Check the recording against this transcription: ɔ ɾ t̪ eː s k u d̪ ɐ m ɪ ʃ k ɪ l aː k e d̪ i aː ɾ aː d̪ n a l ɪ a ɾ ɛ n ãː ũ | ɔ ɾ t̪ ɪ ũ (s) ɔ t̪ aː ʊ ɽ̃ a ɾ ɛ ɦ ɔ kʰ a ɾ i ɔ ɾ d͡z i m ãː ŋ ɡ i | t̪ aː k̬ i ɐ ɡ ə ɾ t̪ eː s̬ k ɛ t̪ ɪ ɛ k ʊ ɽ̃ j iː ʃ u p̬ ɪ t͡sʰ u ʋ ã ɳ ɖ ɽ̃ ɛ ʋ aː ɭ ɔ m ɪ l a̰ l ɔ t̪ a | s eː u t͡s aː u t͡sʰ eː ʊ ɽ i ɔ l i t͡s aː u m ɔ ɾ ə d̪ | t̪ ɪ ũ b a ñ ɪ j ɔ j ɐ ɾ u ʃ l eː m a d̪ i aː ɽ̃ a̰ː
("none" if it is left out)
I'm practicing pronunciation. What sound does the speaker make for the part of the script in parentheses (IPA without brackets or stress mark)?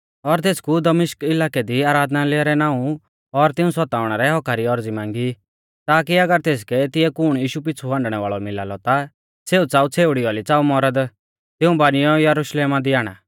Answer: s